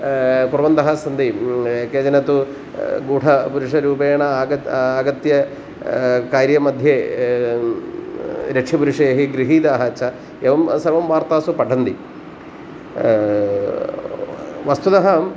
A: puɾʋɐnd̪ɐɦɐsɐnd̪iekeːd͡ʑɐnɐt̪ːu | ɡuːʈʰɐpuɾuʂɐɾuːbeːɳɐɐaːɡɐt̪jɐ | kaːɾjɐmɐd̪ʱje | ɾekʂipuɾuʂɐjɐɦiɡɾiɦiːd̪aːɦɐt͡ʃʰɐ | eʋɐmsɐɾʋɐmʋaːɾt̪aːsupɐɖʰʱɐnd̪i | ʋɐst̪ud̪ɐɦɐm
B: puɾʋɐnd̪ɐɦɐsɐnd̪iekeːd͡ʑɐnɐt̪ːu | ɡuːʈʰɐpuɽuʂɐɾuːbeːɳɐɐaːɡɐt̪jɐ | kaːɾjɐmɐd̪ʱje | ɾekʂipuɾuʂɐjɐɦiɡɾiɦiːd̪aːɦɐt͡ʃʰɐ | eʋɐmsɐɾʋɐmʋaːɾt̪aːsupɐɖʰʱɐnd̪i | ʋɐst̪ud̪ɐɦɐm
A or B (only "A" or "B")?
A